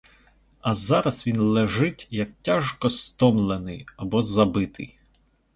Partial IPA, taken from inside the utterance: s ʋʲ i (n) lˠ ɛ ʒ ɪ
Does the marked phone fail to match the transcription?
no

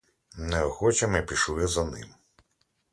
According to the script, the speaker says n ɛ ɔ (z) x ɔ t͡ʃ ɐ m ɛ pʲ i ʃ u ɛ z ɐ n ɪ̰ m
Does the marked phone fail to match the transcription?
yes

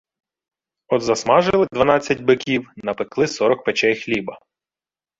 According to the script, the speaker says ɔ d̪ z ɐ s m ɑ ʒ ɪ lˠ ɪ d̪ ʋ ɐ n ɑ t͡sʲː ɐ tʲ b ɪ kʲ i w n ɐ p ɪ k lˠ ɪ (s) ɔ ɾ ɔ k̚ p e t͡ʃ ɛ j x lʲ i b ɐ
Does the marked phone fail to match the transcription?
no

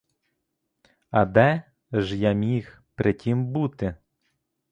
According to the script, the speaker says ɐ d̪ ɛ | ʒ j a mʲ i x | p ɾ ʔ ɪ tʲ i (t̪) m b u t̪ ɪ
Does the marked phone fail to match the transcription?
yes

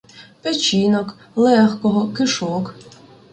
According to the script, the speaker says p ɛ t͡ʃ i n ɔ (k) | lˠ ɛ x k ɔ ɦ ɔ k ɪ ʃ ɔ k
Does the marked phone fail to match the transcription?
no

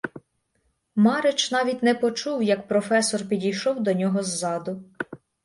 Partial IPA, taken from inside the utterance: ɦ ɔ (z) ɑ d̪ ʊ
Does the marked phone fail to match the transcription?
yes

